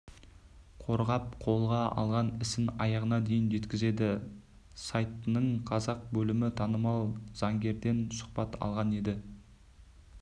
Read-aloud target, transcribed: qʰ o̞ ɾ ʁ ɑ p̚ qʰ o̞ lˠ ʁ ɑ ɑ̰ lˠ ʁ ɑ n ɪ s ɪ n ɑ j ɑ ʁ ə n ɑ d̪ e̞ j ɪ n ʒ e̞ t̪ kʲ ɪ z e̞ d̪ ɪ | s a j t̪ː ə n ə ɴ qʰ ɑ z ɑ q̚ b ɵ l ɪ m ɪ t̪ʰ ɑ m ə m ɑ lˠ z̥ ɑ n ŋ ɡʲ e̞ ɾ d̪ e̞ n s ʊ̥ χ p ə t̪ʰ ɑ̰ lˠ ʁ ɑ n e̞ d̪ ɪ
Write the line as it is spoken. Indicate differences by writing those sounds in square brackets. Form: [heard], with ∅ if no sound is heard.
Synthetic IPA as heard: qʰ o̞ ɾ ʁ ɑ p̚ qʰ o̞ lˠ ʁ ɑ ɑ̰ lˠ ʁ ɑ n ɪ s ɪ n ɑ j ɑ ʁ ə n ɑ d̪ e̞ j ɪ n ʒ e̞ t̪ kʲ ɪ z e̞ d̪ ɪ | s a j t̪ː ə n ə ɴ qʰ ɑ z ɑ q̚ b ɵ l ɪ m ɪ t̪ʰ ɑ [n] ə m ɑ lˠ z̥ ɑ [∅] ŋ ɡʲ e̞ ɾ d̪ e̞ n s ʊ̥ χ p [ɑ] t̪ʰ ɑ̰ lˠ ʁ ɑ n e̞ d̪ ɪ